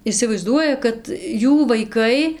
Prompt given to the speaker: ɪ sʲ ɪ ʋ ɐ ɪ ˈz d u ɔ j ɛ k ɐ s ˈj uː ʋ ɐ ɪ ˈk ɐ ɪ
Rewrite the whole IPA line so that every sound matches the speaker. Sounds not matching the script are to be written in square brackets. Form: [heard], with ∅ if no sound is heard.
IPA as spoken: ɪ sʲ ɪ ʋ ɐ ɪ ˈz d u ɔ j ɛ k ɐ [t] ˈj uː ʋ ɐ ɪ ˈk ɐ ɪ